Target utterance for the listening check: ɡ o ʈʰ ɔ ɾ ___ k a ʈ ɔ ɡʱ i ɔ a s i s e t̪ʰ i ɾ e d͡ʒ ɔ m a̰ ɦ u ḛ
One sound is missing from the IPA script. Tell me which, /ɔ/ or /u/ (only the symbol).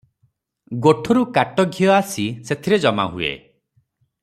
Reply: u